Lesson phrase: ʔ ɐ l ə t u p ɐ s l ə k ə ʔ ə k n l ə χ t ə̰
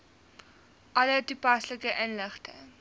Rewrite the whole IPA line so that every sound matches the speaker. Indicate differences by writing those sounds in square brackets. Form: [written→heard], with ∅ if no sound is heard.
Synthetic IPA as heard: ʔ ɐ l ə t u p ɐ s l ə k ə ʔ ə [k→∅] n l ə χ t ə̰